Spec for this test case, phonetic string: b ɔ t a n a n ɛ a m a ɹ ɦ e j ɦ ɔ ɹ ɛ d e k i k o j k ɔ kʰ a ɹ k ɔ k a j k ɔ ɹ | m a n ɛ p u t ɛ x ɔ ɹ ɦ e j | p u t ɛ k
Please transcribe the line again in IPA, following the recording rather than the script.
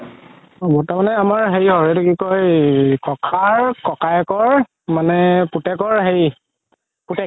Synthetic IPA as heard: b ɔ t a m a n ɛ a m a ɹ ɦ e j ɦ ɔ ɹ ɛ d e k i k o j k ɔ kʰ a ɹ k ɔ k a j k ɔ ɹ | m a n ɛ p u t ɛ k ɔ ɹ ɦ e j | p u t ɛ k